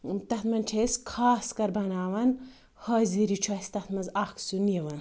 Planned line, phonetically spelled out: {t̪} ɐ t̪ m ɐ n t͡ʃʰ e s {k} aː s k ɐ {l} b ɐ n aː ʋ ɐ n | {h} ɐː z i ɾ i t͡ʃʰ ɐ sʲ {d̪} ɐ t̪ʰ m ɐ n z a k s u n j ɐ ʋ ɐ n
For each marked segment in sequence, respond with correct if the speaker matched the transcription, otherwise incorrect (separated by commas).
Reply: correct, incorrect, incorrect, correct, incorrect